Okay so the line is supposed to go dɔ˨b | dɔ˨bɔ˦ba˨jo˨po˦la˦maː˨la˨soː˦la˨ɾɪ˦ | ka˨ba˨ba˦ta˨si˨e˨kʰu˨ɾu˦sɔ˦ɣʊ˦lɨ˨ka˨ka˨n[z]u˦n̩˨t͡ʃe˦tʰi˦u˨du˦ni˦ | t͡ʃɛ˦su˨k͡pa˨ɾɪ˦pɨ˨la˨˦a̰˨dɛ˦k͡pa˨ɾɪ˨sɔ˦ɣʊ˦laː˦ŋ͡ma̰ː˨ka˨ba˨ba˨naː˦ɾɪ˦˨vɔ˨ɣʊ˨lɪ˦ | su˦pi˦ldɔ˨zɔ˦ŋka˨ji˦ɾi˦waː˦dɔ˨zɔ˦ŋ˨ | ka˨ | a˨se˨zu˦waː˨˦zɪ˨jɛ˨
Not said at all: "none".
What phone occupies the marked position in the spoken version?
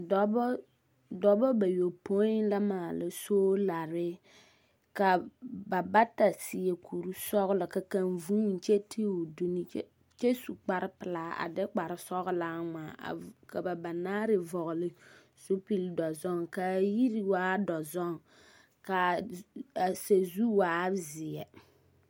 v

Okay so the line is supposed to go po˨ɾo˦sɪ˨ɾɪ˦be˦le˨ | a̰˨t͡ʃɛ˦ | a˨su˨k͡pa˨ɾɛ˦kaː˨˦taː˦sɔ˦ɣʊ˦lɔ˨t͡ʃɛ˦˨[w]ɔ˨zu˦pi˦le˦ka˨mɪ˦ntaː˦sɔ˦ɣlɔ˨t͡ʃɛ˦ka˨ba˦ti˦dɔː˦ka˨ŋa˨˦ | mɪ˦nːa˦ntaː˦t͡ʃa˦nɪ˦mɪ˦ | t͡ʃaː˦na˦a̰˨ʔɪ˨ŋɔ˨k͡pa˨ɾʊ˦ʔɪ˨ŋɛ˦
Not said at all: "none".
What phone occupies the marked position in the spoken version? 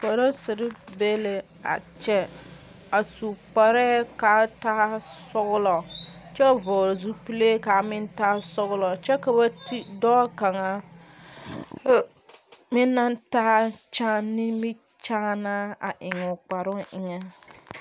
v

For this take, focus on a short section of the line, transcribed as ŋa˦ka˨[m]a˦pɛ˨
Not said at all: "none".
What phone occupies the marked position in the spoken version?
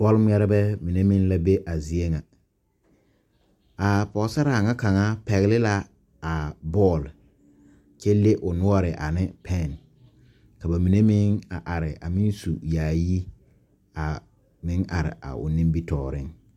ŋ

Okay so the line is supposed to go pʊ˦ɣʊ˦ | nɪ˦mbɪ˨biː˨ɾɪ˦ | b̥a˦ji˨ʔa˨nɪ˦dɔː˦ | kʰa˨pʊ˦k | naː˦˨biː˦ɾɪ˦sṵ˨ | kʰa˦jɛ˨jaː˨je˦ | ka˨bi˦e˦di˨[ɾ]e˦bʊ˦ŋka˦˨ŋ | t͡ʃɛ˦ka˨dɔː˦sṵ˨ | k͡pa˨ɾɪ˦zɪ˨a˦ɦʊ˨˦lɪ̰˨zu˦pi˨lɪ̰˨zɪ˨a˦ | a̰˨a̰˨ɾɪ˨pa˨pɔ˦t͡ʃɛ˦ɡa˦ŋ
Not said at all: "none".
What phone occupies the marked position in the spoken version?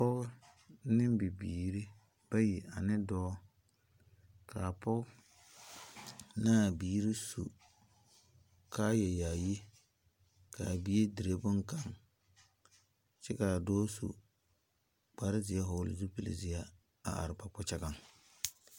ɾ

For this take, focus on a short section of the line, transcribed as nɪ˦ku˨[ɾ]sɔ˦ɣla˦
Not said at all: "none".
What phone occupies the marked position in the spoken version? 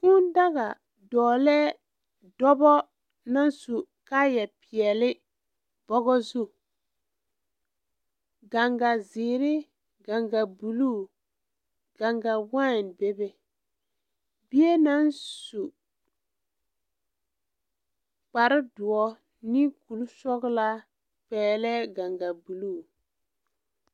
l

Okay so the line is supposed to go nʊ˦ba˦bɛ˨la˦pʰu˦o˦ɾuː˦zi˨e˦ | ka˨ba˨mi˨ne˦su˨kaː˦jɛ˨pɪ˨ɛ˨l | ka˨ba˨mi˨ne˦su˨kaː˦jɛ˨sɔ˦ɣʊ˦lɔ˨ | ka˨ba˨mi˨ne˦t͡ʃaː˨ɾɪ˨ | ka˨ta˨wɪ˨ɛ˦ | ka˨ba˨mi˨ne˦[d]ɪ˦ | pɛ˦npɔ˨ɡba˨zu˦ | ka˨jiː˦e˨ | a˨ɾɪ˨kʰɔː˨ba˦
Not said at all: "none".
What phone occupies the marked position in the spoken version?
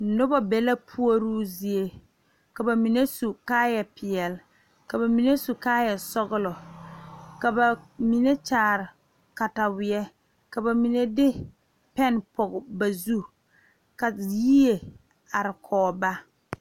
d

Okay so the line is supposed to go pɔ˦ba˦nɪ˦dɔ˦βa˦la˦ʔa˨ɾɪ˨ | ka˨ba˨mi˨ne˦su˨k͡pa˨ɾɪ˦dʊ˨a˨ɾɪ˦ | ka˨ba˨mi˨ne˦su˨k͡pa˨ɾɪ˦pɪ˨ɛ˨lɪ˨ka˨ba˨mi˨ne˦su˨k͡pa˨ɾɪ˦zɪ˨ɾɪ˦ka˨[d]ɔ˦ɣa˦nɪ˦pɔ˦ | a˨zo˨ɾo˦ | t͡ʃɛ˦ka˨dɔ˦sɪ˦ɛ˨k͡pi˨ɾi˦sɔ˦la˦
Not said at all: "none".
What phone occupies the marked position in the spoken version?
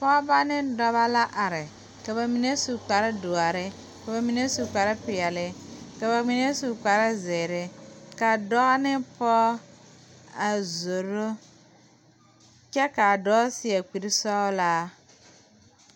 d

